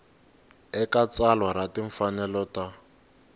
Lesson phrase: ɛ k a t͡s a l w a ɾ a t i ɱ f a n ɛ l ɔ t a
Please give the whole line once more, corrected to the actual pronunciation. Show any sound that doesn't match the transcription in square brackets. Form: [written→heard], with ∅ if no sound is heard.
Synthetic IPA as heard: ɛ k a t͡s a l w a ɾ a t i ɱ f a n ɛ l ɔ t a